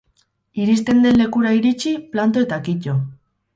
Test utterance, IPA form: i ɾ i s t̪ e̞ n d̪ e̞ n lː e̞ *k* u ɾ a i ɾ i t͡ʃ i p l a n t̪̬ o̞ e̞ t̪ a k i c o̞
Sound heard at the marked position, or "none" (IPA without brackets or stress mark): k